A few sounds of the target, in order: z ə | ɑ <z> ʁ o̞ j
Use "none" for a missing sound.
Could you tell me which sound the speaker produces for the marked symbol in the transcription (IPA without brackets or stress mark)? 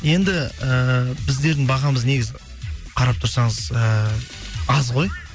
z